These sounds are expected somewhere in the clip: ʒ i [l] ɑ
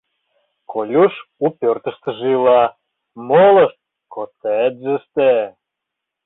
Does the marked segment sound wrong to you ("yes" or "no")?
no